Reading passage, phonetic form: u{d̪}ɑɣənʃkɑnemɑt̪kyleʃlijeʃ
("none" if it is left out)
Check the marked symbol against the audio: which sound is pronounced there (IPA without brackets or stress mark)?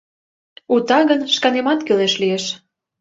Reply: t̪